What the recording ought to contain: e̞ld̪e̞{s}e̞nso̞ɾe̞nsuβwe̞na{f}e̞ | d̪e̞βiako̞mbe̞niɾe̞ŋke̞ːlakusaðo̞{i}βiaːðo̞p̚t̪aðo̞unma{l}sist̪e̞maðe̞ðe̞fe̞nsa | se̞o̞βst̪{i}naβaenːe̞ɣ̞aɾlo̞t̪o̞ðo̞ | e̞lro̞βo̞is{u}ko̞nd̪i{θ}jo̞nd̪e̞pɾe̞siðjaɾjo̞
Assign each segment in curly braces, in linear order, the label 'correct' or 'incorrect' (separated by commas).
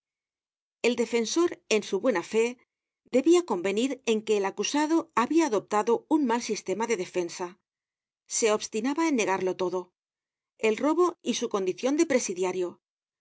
incorrect, correct, incorrect, correct, correct, correct, correct